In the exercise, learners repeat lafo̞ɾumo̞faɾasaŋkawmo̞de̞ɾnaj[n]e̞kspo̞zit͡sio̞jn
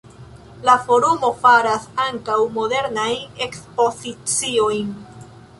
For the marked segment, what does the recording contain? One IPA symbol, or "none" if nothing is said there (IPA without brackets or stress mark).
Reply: n